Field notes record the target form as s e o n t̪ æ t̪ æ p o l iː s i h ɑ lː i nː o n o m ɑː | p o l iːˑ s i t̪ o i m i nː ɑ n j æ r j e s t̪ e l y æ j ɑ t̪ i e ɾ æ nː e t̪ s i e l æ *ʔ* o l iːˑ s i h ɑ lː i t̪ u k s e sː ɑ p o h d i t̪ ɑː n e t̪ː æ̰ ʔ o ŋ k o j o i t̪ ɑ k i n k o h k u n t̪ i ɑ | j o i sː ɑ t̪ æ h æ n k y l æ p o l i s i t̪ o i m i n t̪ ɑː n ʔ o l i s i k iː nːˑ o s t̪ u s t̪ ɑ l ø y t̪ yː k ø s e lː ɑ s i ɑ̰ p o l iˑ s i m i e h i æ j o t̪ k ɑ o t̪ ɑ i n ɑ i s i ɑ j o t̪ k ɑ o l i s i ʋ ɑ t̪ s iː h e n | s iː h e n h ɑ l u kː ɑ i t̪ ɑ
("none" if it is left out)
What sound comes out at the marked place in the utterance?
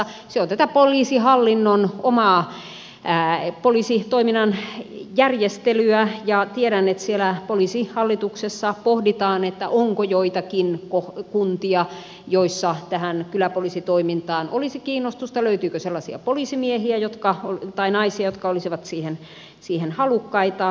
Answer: p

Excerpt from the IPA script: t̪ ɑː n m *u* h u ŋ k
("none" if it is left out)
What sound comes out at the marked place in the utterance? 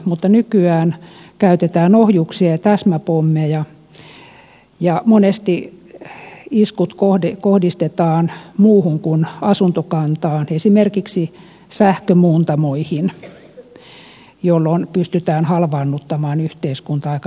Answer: uː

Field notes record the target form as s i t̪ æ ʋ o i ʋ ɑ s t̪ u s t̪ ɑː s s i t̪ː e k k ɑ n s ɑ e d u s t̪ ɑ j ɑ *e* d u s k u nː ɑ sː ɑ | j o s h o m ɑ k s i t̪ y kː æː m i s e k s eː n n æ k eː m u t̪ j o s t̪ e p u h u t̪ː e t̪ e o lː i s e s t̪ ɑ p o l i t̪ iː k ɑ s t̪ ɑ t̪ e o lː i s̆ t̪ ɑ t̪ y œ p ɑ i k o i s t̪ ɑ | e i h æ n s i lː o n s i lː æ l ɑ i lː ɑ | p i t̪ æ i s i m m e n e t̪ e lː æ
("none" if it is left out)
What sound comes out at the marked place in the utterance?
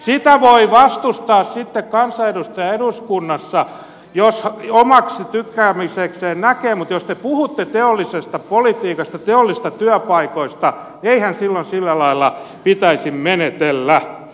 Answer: e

